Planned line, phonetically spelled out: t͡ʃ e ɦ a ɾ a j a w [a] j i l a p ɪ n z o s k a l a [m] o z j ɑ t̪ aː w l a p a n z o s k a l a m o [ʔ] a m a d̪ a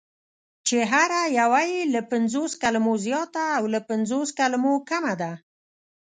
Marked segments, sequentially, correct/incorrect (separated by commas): correct, correct, incorrect